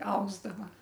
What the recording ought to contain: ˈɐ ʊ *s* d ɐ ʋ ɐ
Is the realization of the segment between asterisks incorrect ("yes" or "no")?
yes